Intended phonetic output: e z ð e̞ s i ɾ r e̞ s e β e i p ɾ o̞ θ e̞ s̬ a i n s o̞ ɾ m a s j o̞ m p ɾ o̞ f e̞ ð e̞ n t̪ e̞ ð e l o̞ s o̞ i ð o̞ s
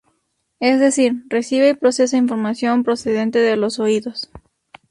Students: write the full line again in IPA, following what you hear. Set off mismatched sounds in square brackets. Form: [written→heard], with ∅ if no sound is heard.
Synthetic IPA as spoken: e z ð e̞ s i ɾ r e̞ s [e→i] β e i p ɾ o̞ [θ→s] e̞ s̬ a i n [s→f] o̞ ɾ m a s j o̞ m p ɾ o̞ [f→s] e̞ ð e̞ n t̪ e̞ ð e l o̞ s o̞ i ð o̞ s